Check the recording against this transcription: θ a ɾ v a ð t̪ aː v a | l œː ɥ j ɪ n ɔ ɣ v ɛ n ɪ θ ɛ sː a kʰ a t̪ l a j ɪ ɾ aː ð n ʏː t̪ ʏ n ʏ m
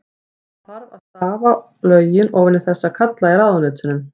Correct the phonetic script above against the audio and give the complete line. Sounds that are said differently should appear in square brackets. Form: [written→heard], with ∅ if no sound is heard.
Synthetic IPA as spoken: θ a ɾ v a ð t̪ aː v a | l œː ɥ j ɪ n ɔ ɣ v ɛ n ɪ θ ɛ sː a kʰ a t̪ l a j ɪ ɾ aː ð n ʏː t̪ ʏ n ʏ m